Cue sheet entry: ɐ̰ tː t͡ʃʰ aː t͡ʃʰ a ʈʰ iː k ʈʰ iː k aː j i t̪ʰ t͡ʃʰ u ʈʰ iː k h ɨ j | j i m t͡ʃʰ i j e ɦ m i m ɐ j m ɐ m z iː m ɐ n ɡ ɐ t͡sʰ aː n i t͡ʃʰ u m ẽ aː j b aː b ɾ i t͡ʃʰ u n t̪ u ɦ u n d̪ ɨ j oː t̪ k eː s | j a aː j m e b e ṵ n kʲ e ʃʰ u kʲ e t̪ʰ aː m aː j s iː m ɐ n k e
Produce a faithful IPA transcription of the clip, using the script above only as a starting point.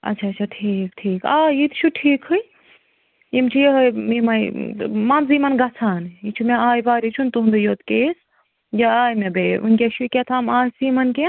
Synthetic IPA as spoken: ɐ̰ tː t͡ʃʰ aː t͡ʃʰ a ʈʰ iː k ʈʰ iː k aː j i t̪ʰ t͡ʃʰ u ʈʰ iː k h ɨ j | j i m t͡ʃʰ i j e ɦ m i m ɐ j m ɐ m z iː m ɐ n ɡ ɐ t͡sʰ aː n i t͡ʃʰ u m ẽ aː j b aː ɾ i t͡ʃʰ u n t̪ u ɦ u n d̪ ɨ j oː t̪ k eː s | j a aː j m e b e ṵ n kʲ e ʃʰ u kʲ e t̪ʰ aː m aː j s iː m ɐ n k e